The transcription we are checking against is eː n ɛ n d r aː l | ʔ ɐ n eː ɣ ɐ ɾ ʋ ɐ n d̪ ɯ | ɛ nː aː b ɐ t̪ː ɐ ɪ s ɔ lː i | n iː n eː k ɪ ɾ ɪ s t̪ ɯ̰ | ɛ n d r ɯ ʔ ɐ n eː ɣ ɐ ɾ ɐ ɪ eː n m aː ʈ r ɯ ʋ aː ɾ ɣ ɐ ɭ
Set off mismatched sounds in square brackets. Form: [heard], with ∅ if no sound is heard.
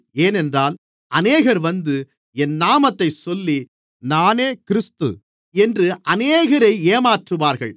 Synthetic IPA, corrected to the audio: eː n ɛ n d r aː l | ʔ ɐ n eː ɣ ɐ ɾ ʋ ɐ n d̪ ɯ | ɛ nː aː [m] ɐ t̪ː ɐ ɪ s ɔ lː i | n [aː] n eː k ɪ ɾ ɪ s t̪ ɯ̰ | ɛ n d r ɯ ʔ ɐ n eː ɣ ɐ ɾ ɐ ɪ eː [∅] m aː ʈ r ɯ ʋ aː ɾ ɣ ɐ ɭ